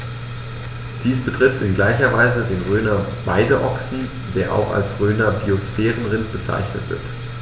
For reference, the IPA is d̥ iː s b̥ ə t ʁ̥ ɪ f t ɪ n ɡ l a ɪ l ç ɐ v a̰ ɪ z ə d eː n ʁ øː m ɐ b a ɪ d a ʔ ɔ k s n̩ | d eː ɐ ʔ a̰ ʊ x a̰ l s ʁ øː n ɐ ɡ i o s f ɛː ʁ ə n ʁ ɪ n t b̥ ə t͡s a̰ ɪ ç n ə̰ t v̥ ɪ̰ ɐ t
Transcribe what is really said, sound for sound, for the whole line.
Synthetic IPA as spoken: d̥ iː s b̥ ə t ʁ̥ ɪ f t ɪ n ɡ l a ɪ ç ɐ v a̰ ɪ z ə d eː n ʁ øː n ɐ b a ɪ d ə ʔ ɔ k s n̩ | d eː ɐ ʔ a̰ ʊ x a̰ l s ʁ øː n ɐ b i o s f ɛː ʁ ə n ʁ ɪ n t b̥ ə t͡s a̰ ɪ ç n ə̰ t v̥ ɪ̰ ɐ t